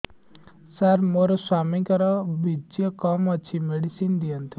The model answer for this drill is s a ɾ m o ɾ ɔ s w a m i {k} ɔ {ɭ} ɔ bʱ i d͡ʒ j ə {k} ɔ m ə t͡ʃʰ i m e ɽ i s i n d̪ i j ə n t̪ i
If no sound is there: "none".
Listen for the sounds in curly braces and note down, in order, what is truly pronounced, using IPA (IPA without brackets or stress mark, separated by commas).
k, ɾ, k